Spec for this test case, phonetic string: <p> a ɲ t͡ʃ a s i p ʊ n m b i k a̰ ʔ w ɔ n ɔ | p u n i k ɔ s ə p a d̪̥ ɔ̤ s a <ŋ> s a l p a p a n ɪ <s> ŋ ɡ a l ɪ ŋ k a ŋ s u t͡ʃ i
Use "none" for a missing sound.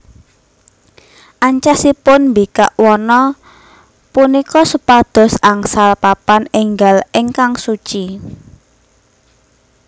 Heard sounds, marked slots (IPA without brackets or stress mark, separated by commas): ʔ, ŋ, none